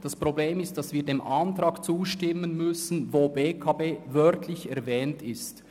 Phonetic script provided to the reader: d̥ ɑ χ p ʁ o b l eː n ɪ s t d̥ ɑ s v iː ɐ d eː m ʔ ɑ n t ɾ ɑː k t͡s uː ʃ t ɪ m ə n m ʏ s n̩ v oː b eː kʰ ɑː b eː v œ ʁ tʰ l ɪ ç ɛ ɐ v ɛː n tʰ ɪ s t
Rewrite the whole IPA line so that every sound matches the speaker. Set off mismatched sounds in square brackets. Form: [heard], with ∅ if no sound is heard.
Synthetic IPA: d̥ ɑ [s] p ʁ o b l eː [m] ɪ s t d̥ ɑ s v iː ɐ d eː m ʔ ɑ n t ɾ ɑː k t͡s uː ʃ t ɪ m ə n m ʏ s n̩ v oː b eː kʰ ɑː b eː v œ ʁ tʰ l ɪ ç ɛ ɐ v ɛː n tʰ ɪ s t